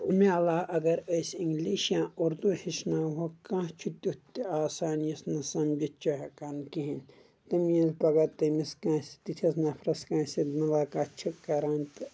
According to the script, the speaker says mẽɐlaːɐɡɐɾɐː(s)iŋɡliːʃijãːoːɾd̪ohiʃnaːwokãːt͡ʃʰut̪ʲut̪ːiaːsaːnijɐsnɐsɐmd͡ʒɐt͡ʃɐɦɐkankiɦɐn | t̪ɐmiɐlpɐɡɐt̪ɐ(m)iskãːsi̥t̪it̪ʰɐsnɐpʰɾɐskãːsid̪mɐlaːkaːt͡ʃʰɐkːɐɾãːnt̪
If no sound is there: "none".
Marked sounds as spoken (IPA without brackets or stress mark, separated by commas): s, m